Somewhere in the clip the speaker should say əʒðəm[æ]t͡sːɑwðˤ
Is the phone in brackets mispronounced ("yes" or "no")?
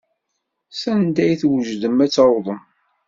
no